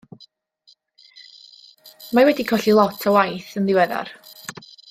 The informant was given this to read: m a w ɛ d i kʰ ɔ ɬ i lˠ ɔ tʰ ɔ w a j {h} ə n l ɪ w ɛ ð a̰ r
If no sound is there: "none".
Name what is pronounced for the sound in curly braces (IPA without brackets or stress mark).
θ